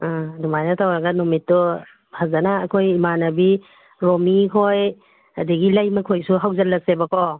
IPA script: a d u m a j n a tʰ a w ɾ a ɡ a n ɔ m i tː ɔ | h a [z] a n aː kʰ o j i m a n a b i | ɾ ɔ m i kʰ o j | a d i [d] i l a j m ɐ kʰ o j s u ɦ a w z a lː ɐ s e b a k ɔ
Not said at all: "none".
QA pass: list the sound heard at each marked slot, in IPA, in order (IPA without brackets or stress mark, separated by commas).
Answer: z, ɡ